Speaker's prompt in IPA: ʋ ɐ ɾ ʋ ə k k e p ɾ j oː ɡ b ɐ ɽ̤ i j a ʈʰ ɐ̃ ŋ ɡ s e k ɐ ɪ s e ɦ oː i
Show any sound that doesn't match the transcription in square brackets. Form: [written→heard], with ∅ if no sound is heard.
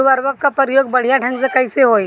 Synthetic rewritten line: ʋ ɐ ɾ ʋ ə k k [e→a] p ɾ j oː ɡ b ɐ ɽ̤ i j a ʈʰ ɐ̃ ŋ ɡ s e k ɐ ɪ s e ɦ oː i